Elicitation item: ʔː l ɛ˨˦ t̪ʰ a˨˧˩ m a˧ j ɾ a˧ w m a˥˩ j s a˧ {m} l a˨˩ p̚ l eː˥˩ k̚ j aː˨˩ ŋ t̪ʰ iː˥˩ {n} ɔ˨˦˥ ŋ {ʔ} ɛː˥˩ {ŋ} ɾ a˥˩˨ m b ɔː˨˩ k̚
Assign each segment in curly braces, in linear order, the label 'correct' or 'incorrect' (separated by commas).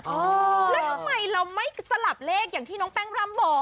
incorrect, correct, incorrect, correct